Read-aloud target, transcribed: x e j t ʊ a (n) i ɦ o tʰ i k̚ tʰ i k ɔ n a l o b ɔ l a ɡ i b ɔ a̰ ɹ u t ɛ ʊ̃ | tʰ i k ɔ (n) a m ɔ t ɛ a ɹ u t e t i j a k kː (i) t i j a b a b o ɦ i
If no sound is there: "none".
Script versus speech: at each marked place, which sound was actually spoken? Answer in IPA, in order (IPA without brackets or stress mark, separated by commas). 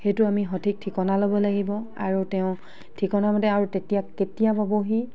m, n, e